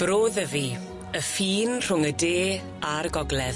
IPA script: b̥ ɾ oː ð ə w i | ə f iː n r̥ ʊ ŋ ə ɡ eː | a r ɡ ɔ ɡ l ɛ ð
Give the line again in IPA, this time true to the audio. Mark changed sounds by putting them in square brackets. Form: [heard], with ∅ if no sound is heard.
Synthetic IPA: b̥ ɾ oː ð ə [v] i | ə f iː n r̥ ʊ ŋ ə [d] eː | a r ɡ ɔ ɡ l ɛ ð